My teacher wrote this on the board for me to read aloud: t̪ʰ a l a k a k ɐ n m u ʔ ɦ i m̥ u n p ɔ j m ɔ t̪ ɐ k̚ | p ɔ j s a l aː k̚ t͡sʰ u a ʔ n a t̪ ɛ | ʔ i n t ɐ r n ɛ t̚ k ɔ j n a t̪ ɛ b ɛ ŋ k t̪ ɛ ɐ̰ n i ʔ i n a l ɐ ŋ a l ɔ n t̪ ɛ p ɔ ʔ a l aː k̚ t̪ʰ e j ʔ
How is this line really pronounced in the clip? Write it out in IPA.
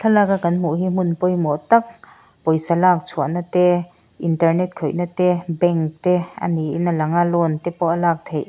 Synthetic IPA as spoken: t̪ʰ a l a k a k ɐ n m u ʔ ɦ i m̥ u n p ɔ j m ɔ t̪ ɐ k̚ | p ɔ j s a l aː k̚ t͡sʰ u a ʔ n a t̪ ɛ | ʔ i n t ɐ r n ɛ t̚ kʰ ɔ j n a t̪ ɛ b ɛ ŋ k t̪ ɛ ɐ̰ n i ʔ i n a l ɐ ŋ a l ɔ n t̪ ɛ p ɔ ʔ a l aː k̚ t̪ʰ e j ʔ

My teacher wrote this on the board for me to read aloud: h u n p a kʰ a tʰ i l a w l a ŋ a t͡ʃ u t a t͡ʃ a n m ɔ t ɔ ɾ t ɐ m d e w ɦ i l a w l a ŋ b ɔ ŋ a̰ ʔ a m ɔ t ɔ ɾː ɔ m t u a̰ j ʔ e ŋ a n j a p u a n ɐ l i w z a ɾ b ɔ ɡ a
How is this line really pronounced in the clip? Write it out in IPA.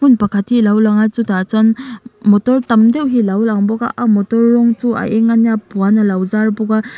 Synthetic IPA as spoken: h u n p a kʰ a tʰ i l a w l a ŋ a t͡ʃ u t a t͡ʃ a n m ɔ t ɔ ɾ t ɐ m d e w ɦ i l a w l a ŋ b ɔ ɡ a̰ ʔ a m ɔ t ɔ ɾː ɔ ŋ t u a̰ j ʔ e ŋ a n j a p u a n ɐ l a w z a ɾ b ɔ ɡ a

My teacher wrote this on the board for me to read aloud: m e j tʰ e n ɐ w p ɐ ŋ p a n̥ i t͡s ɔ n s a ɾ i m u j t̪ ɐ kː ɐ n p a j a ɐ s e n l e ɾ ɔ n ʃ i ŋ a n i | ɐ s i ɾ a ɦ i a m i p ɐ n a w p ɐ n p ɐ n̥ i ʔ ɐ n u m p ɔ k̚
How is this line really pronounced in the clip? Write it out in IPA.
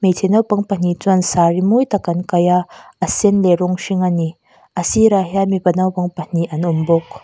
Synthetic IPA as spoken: m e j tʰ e n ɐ w p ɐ ŋ p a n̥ i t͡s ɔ n s a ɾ i m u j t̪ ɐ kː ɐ n k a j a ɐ s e n l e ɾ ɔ ŋ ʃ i ŋ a n i | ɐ s i ɾ a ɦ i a m i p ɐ n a w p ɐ ŋ p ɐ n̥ i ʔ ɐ n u m b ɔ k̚

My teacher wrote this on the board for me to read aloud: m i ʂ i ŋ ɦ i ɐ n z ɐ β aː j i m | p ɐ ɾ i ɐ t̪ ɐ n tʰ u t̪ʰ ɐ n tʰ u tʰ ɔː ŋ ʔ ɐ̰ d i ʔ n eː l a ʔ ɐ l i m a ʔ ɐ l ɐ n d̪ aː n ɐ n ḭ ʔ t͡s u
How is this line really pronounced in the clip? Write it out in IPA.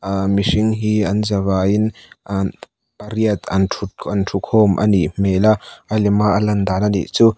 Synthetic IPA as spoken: m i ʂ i ŋ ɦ i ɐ n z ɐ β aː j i n | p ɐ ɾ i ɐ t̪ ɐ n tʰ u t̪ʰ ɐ n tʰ u kʰ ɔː m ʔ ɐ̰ n i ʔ m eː l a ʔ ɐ l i m a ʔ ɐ l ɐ n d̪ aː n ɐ n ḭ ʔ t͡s u

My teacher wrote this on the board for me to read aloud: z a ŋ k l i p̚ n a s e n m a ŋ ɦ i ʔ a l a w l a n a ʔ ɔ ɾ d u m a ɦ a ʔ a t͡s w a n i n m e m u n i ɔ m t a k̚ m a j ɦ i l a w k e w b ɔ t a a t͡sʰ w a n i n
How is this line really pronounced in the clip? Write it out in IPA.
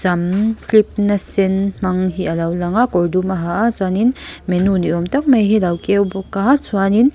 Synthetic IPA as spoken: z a m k l i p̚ n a s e n m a ŋ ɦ i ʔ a l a w l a ŋ a k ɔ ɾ d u m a ɦ a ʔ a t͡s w a n i n m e n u n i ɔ m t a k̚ m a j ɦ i l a w k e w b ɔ k a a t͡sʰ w a n i n

